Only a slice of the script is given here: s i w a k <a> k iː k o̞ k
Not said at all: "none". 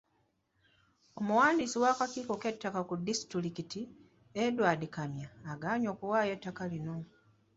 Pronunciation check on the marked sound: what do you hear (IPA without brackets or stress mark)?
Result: a